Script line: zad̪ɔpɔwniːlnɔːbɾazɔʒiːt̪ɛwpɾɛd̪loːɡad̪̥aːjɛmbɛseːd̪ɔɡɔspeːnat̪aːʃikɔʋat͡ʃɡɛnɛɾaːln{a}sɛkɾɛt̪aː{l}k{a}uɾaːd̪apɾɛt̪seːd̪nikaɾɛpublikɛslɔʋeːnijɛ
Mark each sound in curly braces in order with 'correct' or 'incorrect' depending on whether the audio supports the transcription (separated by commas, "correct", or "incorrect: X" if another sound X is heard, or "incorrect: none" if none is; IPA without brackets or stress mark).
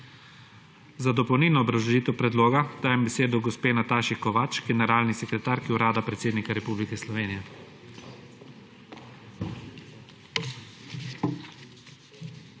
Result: incorrect: i, incorrect: ɾ, incorrect: i